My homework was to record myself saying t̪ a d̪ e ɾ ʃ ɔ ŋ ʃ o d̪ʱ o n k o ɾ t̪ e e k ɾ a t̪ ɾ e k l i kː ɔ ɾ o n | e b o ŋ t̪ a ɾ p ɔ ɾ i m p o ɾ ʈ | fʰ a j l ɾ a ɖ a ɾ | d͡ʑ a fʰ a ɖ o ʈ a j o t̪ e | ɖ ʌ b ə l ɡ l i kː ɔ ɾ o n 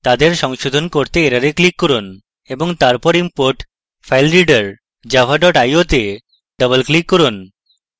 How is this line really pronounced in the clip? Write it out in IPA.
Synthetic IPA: t̪ a d̪ e ɾ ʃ ɔ ŋ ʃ o d̪ʱ o n k o ɾ t̪ e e ɾ a ɾ e k l i kː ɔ ɾ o n | e b o ŋ t̪ a ɾ p ɔ ɾ i m p o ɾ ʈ | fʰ a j l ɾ i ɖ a ɾ | d͡ʑ a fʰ a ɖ ɔ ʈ a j o t̪ e | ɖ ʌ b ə l k l i kː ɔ ɾ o n

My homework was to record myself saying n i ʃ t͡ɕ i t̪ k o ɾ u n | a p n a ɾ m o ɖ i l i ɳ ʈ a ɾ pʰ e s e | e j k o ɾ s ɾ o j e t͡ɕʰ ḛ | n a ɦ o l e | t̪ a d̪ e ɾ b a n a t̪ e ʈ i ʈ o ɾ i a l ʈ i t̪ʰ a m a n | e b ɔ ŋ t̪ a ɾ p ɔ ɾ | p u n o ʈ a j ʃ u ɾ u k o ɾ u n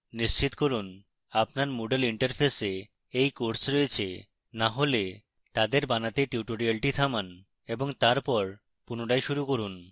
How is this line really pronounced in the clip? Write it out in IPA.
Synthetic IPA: n i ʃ t͡ɕ i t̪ k o ɾ u n | a p n a ɾ m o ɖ e l i ɳ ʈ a ɾ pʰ e s e | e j k o ɾ s ɾ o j e t͡ɕʰ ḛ | n a ɦ o l e | t̪ a d̪ e ɾ b a n a t̪ e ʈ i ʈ o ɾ i a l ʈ i t̪ʰ a m a n | e b o ŋ t̪ a ɾ p ɔ ɾ | p u n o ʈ a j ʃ u ɾ u k o ɾ u n

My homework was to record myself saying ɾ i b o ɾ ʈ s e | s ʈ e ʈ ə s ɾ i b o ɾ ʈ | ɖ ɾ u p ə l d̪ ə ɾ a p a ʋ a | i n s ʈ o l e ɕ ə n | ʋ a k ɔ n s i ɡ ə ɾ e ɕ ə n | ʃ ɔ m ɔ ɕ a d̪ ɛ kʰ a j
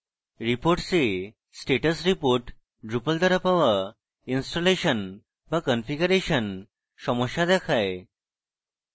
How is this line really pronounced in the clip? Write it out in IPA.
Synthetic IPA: ɾ i p o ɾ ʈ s e | s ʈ e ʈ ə s ɾ i p o ɾ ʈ | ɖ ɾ u p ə l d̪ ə ɾ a p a ʋ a | i n s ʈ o l e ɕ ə n | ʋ a k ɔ n f i ɡ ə ɾ e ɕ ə n | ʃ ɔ m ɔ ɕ a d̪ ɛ kʰ a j

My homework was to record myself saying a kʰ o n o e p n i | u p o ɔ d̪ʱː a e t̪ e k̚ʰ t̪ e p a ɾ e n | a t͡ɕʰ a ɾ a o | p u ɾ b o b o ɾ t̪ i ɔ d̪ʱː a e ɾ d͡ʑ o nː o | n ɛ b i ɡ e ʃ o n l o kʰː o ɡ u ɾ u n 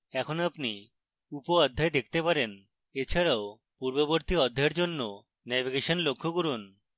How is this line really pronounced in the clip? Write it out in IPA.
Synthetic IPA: ɛ kʰ o n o a p n i | u p o ɔ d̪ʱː a e d̪ e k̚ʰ t̪ e p a ɾ e n | e t͡ɕʰ a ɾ a o | p u ɾ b o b o ɾ t̪ i ɔ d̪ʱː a e ɾ d͡ʑ o nː o | n ɛ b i ɡ e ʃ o n l o kʰː o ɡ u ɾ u n

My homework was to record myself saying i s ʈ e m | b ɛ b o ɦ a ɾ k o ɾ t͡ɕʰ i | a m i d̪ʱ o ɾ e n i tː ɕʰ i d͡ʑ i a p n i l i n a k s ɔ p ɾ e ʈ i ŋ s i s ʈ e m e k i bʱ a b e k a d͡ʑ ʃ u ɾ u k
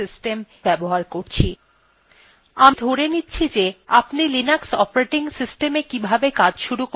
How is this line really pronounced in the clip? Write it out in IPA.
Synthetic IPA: i s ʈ e m | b ɛ b o ɦ a ɾ k o ɾ t͡ɕʰ i | a m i d̪ʱ o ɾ e n i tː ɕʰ i d͡ʑ e a p n i l i n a k s ɔ p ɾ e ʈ i ŋ s i s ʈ e m e k i bʱ a b e k a d͡ʑ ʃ u ɾ u k

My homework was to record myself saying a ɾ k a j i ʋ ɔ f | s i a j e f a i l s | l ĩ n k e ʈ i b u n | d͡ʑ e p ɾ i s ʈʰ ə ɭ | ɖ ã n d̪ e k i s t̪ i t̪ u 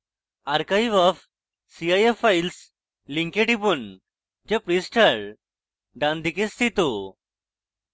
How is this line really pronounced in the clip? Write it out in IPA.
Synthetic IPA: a ɾ k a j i ʋ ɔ f | s i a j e f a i l s | l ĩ ŋ k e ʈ i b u n | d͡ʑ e p ɾ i s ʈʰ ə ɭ | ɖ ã n d̪ i k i s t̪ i t̪ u

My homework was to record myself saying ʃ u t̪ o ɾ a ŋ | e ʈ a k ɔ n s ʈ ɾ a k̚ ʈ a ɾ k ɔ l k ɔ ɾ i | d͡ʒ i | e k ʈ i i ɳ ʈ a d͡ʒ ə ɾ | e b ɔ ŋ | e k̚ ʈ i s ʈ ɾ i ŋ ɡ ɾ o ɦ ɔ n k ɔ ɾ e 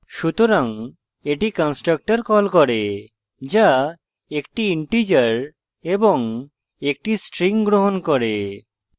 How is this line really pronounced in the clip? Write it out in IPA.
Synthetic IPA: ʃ u t̪ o ɾ a ŋ | e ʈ i k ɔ n s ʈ ɾ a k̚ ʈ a ɾ k ɔ l k ɔ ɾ e | d͡ʒ a | e k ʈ i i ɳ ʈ i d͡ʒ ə ɾ | e b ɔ ŋ | e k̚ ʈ i s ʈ ɾ i ŋ ɡ ɾ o ɦ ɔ n k ɔ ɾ e

